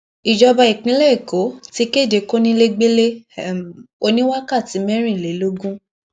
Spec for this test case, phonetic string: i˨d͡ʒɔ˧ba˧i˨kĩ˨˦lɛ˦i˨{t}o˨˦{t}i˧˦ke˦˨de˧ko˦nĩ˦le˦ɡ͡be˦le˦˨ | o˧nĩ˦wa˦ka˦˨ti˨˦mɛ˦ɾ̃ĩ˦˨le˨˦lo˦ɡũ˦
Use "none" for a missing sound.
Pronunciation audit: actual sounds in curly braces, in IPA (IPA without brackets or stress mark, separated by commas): k, t